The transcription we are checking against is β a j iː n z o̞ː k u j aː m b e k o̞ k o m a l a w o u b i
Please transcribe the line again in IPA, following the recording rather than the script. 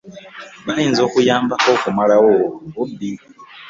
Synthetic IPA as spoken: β a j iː n z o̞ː k u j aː m b a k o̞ k u m a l a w o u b i